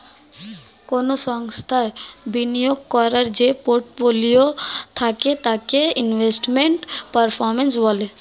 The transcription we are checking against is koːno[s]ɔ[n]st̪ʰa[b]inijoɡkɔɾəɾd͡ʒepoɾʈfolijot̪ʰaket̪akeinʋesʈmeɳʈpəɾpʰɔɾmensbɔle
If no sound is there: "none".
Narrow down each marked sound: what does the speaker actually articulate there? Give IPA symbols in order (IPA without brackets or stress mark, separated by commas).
s, ŋ, b